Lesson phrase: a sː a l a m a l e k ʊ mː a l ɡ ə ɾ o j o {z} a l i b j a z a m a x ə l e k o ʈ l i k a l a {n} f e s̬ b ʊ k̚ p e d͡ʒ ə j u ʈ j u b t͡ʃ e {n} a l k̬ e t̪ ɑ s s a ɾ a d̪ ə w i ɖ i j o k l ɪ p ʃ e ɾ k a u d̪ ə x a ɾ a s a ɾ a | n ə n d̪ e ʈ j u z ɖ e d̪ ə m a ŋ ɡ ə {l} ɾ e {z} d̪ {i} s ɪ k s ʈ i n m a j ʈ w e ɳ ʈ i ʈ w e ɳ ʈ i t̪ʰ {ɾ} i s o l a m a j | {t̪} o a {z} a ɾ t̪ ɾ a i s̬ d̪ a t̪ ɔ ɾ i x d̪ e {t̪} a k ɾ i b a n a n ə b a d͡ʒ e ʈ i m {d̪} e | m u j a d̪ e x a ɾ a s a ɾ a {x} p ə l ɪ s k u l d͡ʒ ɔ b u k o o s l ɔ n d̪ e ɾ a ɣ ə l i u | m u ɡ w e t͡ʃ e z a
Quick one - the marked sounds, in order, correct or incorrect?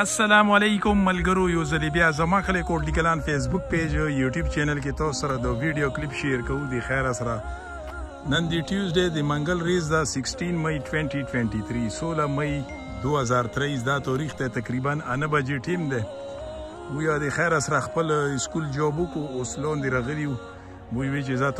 correct, correct, correct, correct, correct, incorrect: a, correct, incorrect: d̪, correct, correct, correct, correct

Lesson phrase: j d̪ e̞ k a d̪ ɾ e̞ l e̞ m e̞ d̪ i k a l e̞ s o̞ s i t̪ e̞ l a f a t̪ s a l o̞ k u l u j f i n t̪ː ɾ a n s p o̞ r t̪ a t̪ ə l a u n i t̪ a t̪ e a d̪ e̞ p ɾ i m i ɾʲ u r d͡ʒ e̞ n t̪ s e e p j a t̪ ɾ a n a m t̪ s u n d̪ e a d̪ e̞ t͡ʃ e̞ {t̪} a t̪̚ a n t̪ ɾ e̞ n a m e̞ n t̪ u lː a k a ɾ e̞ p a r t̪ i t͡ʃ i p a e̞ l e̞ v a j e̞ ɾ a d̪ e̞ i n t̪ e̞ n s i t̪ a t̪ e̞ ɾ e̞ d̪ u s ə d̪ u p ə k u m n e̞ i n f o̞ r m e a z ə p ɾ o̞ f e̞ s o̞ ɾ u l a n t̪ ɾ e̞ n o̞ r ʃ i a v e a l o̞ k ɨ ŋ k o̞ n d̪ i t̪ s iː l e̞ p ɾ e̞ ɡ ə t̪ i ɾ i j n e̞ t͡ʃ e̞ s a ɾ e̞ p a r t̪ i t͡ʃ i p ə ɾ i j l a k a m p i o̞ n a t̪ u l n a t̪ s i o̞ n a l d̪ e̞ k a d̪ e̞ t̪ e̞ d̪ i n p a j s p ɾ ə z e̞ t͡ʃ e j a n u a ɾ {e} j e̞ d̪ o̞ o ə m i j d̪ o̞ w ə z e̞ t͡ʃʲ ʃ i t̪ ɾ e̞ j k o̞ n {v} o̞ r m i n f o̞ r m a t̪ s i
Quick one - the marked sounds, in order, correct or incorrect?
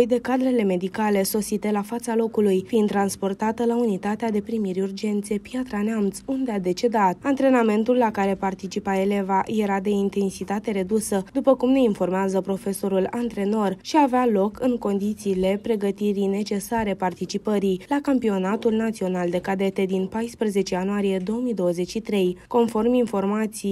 incorrect: d̪, incorrect: i, incorrect: f

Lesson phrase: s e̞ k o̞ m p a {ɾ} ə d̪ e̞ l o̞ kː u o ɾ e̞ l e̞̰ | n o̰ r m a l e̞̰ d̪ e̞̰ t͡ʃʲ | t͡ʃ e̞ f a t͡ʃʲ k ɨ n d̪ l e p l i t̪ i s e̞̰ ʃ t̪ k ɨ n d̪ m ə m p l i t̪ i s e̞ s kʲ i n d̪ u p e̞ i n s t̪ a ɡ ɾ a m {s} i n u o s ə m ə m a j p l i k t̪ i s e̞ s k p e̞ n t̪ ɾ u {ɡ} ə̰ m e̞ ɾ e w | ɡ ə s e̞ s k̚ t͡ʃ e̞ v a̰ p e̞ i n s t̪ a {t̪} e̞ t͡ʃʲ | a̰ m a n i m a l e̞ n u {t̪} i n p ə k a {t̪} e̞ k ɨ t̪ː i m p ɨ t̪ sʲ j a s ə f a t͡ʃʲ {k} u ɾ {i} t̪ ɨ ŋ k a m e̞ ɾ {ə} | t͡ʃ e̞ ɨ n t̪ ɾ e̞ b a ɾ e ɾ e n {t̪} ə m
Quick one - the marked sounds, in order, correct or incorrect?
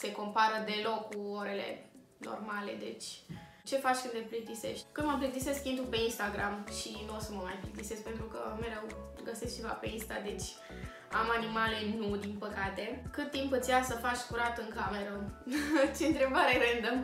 correct, incorrect: ʃ, incorrect: k, incorrect: d̪, incorrect: d̪, correct, correct, incorrect: a, correct, incorrect: d̪

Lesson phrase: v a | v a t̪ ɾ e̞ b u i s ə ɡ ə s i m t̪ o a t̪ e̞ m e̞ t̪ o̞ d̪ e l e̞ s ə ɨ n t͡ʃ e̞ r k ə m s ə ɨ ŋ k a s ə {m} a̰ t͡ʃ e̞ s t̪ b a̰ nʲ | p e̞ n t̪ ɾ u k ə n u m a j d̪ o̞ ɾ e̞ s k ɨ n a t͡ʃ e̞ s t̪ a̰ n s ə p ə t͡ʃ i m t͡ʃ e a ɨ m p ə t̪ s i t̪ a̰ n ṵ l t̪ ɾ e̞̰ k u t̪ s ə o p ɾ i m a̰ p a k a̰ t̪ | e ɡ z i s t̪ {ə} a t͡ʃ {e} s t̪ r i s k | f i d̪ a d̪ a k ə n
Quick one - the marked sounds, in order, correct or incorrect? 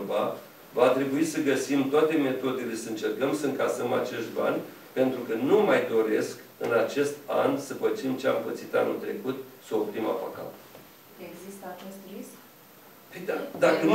correct, correct, correct

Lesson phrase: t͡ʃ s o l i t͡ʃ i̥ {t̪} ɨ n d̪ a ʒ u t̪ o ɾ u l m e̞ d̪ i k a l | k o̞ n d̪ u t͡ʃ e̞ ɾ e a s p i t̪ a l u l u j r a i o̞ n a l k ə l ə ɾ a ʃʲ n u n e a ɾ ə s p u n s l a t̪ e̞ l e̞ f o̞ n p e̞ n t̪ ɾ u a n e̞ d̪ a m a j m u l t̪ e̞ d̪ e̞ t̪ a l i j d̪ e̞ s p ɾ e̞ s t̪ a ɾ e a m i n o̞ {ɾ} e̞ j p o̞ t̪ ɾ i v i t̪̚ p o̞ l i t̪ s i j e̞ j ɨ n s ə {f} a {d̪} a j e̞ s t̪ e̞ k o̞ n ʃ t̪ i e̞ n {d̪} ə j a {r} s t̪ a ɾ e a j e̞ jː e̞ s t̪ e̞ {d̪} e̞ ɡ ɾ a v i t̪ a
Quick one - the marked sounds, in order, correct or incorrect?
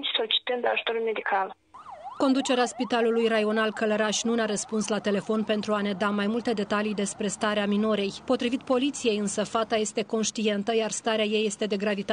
correct, correct, correct, incorrect: t̪, incorrect: t̪, correct, correct

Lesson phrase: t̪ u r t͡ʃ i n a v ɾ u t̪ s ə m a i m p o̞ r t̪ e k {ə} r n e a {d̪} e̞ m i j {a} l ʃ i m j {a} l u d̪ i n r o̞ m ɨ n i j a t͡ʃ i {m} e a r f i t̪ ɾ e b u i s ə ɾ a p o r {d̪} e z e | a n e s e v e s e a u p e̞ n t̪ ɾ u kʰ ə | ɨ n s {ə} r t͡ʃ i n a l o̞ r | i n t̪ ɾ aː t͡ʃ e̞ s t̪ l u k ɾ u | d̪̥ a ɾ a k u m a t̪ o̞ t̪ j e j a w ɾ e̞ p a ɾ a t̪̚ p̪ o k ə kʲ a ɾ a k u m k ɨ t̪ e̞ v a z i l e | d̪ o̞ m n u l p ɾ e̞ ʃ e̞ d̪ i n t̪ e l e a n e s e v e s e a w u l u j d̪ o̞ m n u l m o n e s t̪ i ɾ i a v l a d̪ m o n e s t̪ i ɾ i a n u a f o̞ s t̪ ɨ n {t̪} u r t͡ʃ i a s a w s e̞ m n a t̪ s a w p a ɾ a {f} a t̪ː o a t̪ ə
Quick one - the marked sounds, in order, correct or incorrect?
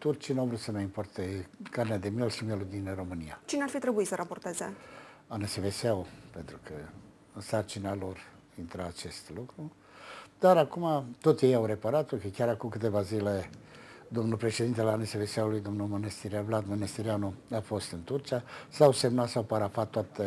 incorrect: a, correct, incorrect: e, incorrect: e, incorrect: n, incorrect: t̪, incorrect: a, correct, correct

